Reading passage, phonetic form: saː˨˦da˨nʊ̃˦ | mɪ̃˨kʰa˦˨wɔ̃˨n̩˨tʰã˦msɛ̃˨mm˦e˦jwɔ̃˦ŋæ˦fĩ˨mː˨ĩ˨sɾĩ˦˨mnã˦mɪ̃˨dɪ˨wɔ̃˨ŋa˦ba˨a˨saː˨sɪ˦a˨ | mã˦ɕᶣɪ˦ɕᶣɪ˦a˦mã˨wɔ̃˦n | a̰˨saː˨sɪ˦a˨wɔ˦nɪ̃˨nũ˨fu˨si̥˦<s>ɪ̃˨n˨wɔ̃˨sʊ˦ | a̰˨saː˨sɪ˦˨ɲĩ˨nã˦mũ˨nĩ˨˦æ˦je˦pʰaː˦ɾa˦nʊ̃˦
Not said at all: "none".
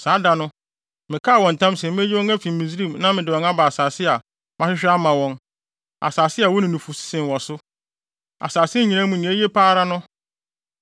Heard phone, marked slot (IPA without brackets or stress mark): s